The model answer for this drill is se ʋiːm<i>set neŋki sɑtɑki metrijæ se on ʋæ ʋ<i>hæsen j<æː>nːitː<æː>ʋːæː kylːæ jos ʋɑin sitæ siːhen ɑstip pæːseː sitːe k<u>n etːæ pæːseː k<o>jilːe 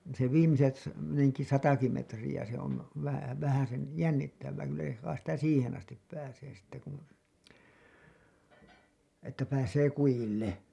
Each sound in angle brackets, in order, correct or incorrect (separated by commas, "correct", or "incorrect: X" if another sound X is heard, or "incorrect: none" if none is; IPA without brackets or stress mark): correct, incorrect: æ, incorrect: æ, incorrect: æ, correct, incorrect: u